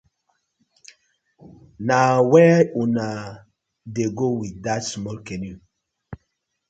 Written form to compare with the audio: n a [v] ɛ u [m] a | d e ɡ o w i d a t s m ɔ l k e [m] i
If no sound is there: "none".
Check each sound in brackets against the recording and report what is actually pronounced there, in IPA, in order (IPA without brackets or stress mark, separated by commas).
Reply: w, n, n